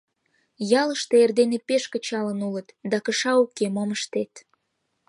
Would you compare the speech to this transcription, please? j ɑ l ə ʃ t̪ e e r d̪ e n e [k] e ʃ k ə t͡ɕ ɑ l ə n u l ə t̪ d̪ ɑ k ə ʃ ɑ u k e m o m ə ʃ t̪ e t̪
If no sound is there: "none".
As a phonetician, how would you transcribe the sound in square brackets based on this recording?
p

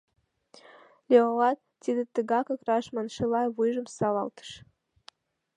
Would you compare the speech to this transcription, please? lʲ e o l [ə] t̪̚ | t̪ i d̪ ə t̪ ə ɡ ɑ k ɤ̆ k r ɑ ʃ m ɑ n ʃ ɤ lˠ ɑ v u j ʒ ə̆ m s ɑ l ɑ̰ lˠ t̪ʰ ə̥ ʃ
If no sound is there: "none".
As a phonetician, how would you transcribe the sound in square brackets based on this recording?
ɑ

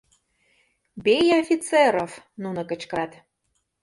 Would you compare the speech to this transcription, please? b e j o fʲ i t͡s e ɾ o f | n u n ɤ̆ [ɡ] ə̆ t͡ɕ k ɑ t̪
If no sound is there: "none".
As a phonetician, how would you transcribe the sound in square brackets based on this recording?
k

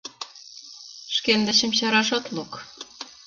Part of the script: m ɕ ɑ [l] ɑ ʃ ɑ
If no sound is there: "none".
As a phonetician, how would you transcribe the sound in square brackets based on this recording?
ɾ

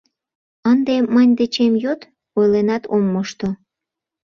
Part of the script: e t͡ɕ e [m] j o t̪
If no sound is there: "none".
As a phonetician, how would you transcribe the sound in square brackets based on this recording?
m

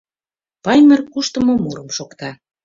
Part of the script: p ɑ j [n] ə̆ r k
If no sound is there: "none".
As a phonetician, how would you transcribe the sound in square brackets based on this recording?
m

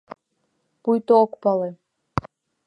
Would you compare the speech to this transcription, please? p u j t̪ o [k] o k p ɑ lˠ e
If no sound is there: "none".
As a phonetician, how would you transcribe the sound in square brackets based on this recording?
none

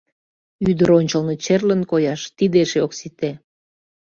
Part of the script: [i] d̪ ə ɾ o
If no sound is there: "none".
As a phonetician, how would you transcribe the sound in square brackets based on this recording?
y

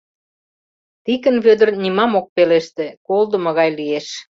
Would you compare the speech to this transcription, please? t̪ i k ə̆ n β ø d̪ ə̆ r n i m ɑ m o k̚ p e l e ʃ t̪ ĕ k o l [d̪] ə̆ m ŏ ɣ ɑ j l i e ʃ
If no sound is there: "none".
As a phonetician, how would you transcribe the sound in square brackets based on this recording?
d̪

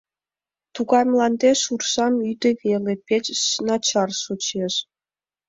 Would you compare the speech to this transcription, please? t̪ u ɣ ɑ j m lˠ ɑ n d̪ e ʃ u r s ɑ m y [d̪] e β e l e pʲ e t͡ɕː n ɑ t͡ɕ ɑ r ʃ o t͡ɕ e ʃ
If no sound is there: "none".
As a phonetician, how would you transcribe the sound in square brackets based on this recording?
d̪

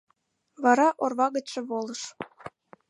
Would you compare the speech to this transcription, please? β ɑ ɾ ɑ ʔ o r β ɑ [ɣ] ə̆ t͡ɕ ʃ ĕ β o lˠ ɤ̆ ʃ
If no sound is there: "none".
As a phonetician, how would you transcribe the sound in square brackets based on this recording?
ɣ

